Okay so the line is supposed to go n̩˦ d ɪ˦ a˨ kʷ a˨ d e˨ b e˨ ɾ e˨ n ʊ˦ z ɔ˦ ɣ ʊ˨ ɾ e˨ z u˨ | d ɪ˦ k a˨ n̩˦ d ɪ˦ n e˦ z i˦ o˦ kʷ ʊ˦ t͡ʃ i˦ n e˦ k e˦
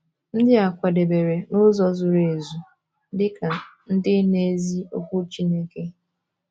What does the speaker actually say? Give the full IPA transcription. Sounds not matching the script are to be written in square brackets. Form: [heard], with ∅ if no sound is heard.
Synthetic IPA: n̩˦ d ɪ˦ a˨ kʷ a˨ d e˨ b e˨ ɾ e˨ n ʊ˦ z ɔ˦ [z] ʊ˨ ɾ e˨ z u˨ | d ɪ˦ k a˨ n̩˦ d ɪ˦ n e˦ z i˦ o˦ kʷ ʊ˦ t͡ʃ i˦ n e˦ k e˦

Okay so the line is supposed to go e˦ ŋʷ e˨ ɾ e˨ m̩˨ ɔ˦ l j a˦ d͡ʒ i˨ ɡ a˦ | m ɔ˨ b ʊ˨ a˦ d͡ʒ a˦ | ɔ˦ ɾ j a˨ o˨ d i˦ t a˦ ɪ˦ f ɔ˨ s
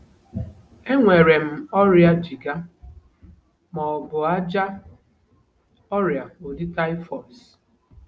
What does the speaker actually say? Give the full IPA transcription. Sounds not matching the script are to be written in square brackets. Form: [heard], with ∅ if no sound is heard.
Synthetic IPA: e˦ ŋʷ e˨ ɾ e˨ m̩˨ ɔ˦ [ɾ] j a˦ d͡ʒ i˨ ɡ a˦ | m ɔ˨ b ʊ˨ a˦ d͡ʒ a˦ | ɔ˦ ɾ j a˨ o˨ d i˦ t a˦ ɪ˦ f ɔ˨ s

